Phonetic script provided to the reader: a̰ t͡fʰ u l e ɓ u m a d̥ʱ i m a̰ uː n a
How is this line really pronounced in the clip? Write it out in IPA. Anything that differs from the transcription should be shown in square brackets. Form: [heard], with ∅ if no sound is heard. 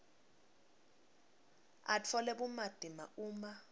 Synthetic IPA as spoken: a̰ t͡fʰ [ɔ] l [ɛ] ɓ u m a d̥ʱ i m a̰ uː [m] a